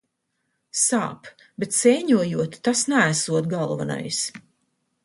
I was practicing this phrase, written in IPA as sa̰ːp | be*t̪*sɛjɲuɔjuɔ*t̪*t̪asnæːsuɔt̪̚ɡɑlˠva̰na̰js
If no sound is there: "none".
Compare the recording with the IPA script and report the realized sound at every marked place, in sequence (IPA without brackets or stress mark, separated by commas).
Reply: t̪, t̪